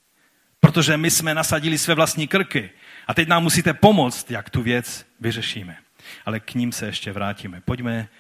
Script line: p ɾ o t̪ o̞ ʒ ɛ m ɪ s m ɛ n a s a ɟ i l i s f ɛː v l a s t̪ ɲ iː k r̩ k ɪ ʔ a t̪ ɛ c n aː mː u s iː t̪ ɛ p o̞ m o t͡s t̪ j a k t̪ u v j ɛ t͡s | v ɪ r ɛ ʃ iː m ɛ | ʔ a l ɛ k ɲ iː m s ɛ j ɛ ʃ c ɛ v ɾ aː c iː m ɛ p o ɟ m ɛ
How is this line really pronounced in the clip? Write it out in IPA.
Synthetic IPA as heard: p ɾ o t̪ o̞ ʒ ɛ m ɪ s m ɛ n a s a ɟ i l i s v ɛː v l a s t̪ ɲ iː k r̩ k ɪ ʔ a t̪ ɛ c n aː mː u s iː t̪ ɛ p o̞ m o t͡s t̪ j a k t̪ u v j ɛ t͡s | v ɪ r ɛ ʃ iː m ɛ | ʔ a l ɛ k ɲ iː m s ɛ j ɛ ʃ c ɛ v ɾ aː c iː m ɛ p o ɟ m ɛ